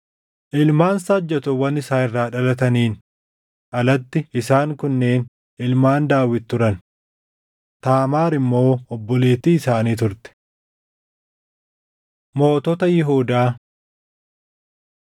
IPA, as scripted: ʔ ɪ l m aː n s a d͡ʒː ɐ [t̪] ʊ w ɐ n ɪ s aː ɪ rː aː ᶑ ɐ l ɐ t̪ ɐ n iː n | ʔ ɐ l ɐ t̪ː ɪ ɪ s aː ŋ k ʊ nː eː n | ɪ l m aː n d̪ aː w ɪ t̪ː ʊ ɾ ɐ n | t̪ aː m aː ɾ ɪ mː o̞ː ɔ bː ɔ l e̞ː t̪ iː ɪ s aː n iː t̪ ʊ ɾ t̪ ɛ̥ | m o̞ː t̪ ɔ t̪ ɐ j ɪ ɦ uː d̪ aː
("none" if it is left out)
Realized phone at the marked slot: t̪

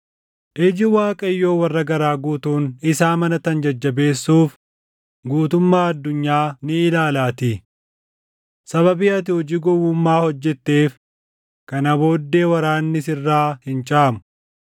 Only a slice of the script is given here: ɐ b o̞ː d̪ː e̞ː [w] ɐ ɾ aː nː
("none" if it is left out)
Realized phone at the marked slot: w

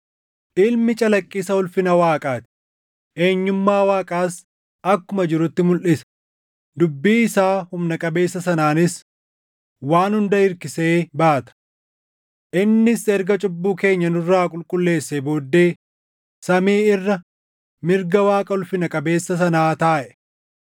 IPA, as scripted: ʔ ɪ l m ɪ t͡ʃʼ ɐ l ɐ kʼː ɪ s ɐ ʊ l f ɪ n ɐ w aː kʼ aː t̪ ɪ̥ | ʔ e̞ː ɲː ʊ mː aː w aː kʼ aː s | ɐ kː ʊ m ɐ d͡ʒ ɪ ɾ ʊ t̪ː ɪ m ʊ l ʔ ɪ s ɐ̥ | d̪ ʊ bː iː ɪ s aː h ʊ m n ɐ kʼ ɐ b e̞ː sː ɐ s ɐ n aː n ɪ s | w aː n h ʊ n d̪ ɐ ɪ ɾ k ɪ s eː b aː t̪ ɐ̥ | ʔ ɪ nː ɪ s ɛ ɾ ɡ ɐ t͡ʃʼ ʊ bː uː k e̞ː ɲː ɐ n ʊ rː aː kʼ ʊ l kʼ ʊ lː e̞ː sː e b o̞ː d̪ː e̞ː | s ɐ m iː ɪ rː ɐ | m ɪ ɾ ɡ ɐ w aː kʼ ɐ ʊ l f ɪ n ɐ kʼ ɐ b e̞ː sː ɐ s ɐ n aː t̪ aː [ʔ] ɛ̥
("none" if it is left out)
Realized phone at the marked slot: ʔ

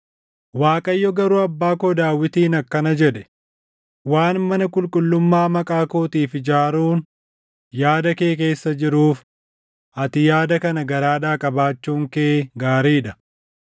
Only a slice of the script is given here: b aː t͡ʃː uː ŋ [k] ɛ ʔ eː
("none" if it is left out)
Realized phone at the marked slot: k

